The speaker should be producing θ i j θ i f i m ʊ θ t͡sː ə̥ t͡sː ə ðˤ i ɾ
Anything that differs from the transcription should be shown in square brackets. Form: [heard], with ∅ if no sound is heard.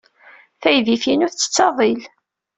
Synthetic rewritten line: θ [æ] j [ð] i f i [n] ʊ θ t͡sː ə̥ t͡sː [ɑ] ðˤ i [l]